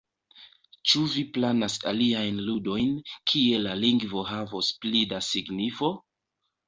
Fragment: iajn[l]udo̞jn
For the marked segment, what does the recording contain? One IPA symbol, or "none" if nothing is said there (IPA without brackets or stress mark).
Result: l